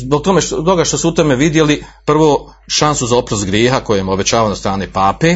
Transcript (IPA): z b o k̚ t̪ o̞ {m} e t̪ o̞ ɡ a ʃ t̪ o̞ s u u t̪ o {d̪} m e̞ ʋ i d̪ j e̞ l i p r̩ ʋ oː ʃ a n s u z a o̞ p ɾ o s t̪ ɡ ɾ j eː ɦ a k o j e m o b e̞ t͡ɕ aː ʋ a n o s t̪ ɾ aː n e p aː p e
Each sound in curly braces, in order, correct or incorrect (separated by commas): correct, incorrect